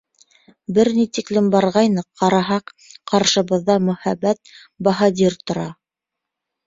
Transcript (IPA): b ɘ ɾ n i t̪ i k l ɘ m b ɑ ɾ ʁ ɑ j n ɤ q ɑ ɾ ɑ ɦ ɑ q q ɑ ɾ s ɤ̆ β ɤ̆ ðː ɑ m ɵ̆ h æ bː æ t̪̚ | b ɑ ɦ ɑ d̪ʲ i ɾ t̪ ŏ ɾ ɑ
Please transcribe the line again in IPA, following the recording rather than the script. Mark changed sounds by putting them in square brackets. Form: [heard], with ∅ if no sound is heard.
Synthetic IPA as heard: b ɘ ɾ n i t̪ i k l ɘ m b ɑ ɾ ʁ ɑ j n ɤ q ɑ ɾ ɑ ɦ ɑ q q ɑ ɾ [ʃ] ɤ̆ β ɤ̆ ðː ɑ m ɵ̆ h æ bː æ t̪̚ | b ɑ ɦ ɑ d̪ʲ i ɾ t̪ ŏ ɾ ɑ